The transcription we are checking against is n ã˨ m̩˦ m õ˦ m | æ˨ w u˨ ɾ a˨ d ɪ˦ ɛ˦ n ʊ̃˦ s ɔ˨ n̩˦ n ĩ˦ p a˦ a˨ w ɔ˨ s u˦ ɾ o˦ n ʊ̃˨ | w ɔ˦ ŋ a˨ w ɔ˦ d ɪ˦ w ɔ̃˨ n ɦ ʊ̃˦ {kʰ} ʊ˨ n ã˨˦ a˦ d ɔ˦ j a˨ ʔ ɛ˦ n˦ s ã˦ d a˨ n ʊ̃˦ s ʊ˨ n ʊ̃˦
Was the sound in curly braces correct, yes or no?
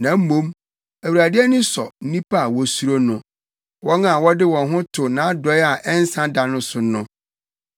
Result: no